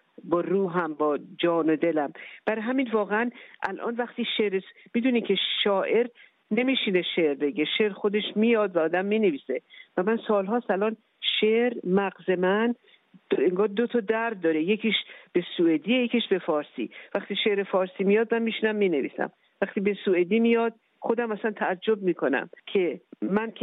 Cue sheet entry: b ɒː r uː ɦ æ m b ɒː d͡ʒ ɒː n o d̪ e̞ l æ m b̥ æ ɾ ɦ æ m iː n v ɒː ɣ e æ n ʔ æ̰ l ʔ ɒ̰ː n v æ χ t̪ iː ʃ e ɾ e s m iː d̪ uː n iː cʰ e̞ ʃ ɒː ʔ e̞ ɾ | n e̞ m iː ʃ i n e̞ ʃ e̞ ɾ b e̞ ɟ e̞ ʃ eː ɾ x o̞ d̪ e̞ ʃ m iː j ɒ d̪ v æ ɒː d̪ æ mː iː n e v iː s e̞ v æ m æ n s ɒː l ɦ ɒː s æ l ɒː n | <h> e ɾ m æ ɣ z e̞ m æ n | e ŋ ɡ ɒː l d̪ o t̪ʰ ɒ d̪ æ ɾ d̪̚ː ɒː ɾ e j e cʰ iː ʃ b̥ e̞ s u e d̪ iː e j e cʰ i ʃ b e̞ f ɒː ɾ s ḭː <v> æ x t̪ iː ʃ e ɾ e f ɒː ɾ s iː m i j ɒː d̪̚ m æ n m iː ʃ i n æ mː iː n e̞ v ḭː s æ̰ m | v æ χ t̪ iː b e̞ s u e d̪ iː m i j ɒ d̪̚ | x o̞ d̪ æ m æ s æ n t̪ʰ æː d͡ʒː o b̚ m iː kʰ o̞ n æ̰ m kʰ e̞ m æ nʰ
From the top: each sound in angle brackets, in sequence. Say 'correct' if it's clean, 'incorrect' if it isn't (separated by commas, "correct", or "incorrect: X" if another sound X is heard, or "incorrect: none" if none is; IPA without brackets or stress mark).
incorrect: ʃ, correct